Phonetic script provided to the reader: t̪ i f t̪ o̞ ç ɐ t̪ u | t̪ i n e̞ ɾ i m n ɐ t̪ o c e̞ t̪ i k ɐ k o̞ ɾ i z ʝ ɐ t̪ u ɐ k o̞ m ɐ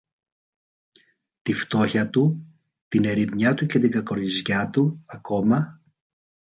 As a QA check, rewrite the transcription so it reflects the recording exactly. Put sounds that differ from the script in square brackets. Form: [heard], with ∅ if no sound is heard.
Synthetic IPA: t̪ i f t̪ o̞ ç ɐ t̪ u | t̪ i n e̞ ɾ i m [ɲ] ɐ t̪ [u] c e̞ t̪ i [ɡ] ɐ k o̞ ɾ i z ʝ ɐ t̪ u ɐ k o̞ m ɐ

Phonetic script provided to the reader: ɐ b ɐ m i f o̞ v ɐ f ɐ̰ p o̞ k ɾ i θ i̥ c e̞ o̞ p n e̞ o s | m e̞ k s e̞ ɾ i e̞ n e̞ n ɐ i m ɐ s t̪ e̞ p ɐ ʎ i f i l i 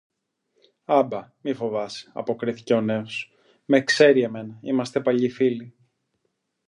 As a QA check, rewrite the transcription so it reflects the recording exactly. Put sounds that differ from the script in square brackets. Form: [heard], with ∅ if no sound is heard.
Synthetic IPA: ɐ b ɐ m i f o̞ v ɐ [s] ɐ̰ p o̞ k ɾ i θ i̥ c e̞ o̞ [∅] n e̞ o s | m e̞ k s e̞ ɾ i e̞ [m] e̞ n ɐ i m ɐ s t̪ e̞ p ɐ ʎ i f i l i

